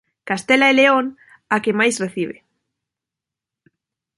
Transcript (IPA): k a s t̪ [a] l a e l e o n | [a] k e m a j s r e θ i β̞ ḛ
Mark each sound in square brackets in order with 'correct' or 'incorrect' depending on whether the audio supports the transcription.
incorrect, correct

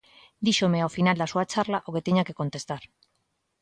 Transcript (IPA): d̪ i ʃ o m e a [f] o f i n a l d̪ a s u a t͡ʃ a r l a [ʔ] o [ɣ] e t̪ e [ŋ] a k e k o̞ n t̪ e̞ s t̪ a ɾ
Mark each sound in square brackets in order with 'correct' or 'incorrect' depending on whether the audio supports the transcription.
incorrect, correct, correct, incorrect

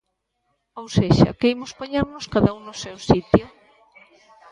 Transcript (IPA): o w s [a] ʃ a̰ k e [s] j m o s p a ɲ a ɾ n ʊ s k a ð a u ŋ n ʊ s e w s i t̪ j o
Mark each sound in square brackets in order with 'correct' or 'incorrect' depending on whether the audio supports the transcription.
incorrect, incorrect

